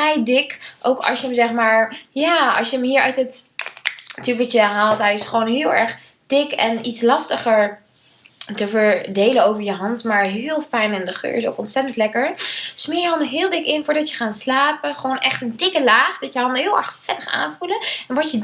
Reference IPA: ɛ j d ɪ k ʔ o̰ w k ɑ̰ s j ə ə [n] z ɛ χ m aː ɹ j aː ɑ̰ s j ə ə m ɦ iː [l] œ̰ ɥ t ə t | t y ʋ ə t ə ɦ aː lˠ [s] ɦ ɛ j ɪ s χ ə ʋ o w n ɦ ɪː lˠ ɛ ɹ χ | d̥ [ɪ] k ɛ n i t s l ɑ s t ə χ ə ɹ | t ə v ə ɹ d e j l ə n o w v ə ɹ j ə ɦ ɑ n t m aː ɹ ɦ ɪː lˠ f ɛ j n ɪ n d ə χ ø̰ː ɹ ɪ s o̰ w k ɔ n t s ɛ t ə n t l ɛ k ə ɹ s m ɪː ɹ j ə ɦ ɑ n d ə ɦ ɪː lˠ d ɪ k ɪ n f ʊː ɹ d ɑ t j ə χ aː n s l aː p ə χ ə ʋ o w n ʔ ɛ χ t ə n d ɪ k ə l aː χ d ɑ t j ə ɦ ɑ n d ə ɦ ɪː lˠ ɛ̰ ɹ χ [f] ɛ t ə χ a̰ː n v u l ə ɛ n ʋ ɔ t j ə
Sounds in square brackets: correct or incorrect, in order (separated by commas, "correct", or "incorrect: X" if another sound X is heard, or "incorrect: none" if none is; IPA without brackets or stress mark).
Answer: incorrect: m, incorrect: ɹ, incorrect: t, correct, correct